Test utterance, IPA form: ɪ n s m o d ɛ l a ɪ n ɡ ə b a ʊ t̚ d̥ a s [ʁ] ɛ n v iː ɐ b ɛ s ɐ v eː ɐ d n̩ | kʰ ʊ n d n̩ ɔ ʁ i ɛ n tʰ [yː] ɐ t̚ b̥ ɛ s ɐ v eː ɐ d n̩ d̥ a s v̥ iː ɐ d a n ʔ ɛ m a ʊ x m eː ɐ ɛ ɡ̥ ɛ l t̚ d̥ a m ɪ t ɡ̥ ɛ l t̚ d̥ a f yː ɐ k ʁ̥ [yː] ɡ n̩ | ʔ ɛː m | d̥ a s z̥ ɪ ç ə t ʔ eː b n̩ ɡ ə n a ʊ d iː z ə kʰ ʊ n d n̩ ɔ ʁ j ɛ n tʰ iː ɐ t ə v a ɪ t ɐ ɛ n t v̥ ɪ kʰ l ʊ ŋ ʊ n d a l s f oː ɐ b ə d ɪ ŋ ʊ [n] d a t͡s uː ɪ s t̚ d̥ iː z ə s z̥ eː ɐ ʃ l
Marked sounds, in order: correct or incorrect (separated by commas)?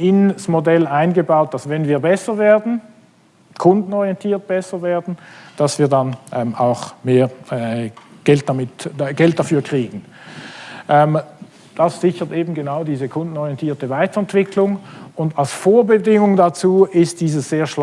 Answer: incorrect, incorrect, incorrect, incorrect